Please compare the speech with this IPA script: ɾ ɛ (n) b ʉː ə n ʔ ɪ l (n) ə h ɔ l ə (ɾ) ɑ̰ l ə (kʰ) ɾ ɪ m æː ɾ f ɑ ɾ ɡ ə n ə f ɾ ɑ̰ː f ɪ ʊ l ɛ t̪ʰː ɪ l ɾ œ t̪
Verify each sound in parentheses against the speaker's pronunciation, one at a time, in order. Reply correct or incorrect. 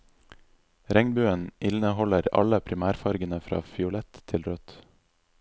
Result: incorrect: ŋ, correct, correct, incorrect: pʰ

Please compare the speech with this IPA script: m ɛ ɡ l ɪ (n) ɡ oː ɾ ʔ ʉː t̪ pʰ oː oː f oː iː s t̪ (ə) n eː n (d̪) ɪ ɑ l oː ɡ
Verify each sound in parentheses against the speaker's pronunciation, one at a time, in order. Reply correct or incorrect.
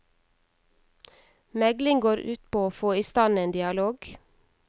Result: incorrect: ŋ, incorrect: ɑ, correct

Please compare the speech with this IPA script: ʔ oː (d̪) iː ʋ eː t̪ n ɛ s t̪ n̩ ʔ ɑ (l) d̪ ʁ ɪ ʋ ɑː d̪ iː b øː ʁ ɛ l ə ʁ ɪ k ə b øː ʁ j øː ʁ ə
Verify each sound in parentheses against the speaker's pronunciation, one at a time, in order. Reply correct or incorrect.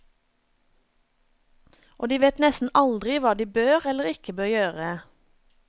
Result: correct, correct

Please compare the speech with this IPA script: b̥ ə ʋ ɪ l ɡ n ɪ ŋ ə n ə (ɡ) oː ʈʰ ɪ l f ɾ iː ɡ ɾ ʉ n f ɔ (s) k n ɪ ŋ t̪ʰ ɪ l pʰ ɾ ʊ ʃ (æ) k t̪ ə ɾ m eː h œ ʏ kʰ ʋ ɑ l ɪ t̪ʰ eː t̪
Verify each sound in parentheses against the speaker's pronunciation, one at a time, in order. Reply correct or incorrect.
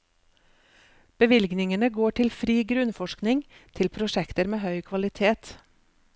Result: correct, incorrect: ʃ, incorrect: ɛ

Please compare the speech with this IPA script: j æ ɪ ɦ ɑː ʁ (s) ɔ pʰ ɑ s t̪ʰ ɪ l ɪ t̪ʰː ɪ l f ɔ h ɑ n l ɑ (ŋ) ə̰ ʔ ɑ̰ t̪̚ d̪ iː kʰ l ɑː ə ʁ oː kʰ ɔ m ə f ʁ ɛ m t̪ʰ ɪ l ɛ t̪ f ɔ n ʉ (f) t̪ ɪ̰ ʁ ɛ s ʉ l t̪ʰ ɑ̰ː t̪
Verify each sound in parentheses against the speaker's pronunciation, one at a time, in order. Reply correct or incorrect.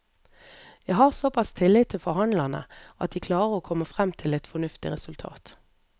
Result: correct, incorrect: n, correct

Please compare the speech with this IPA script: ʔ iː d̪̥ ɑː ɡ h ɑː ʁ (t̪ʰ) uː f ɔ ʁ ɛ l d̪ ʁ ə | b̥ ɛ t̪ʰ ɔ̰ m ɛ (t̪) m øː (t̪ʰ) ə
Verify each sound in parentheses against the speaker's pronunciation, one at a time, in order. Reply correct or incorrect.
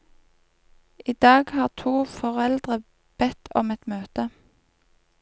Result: correct, correct, incorrect: t̪

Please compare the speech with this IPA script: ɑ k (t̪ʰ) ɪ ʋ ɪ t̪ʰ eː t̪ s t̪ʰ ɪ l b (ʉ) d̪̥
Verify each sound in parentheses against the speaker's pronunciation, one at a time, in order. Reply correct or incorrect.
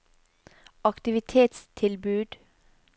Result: incorrect: t̪, incorrect: ʉː

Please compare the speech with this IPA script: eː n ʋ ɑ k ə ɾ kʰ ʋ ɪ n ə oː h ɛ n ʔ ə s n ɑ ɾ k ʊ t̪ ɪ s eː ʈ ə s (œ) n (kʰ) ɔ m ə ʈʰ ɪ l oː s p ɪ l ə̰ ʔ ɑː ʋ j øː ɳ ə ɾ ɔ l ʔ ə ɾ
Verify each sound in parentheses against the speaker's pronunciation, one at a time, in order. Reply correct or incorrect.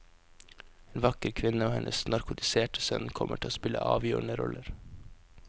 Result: correct, correct

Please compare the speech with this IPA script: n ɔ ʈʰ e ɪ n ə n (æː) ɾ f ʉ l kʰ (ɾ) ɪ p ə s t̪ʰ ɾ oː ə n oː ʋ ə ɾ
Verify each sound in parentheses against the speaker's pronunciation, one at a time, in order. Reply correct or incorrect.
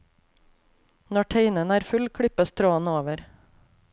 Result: correct, incorrect: ɽ

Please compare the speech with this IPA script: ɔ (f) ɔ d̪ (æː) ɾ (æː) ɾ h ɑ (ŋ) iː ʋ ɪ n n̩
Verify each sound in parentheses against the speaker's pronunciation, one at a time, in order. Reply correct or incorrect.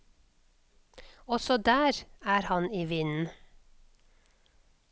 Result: incorrect: s, correct, correct, incorrect: n

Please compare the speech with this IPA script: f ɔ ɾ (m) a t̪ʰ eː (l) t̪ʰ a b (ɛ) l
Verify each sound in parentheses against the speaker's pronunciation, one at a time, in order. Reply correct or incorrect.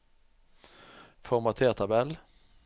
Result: correct, incorrect: none, correct

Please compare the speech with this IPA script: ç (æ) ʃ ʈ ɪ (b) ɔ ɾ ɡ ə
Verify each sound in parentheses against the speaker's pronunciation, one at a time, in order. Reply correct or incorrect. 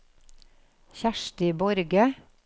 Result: correct, correct

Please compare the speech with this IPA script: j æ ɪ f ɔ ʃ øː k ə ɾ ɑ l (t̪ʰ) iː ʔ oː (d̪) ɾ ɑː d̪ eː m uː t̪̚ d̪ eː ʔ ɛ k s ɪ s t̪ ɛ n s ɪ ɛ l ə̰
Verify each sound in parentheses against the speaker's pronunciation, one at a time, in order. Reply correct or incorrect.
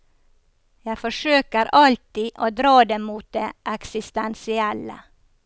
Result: incorrect: t̪, correct

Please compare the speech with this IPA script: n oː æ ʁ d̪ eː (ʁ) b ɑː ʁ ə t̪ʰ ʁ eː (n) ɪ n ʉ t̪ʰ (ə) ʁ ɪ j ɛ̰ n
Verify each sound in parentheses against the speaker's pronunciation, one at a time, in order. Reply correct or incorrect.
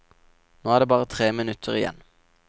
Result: incorrect: none, incorrect: m, correct

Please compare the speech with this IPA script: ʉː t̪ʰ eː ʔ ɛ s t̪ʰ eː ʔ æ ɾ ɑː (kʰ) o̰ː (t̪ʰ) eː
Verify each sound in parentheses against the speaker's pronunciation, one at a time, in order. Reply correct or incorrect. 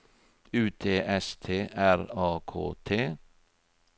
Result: correct, correct

